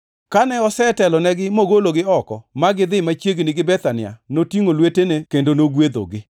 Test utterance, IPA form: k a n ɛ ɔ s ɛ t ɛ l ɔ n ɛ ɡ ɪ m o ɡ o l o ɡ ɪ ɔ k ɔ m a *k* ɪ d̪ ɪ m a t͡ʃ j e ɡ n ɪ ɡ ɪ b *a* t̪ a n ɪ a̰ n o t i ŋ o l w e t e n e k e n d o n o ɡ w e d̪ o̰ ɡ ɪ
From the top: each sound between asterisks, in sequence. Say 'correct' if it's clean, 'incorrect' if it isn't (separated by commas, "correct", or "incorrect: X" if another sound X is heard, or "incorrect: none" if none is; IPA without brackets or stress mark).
incorrect: ɡ, incorrect: ɛ